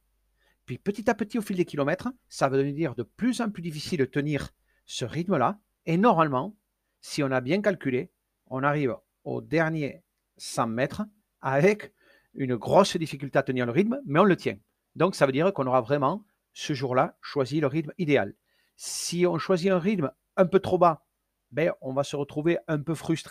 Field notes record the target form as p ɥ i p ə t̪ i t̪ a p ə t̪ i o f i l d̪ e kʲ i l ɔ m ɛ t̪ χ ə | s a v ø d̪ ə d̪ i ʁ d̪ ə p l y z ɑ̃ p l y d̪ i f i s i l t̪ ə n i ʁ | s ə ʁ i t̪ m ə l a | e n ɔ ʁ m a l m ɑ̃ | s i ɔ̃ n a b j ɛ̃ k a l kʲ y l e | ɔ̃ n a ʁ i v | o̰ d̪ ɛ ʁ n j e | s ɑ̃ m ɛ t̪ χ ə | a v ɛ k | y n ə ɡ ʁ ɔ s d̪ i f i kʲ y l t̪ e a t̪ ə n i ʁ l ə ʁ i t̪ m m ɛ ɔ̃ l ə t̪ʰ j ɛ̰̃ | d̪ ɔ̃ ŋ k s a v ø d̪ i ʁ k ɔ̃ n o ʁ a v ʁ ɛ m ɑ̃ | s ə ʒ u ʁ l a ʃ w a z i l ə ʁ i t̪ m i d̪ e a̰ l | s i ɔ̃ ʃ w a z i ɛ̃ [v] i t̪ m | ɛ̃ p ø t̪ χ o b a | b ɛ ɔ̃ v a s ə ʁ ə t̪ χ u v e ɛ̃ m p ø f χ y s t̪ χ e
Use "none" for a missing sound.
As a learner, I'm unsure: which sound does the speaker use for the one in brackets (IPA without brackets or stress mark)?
ʁ